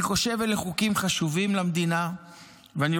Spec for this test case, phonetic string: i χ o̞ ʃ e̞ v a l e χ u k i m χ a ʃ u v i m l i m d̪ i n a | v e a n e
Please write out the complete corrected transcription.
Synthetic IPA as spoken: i χ o̞ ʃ e̞ v e l e χ u k i m χ a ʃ u v i m l a m d̪ i n a | v e a n i